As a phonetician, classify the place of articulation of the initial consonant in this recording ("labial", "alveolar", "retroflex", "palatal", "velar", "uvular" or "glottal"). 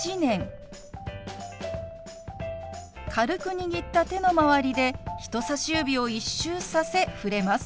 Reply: alveolar